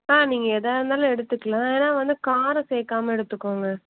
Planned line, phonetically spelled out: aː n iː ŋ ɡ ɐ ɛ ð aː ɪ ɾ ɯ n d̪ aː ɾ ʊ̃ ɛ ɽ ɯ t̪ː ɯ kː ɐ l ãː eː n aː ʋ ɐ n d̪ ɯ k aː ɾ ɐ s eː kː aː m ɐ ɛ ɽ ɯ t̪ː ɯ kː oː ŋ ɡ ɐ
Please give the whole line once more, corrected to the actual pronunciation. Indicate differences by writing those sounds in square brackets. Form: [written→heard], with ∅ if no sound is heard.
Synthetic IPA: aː n iː ŋ ɡ ɐ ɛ ð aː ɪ ɾ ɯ n d̪ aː [ɾ→l] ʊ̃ ɛ ɽ ɯ t̪ː ɯ kː ɐ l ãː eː n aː ʋ ɐ n d̪ ɯ k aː ɾ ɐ s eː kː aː m ɐ ɛ ɽ ɯ t̪ː ɯ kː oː ŋ ɡ ɐ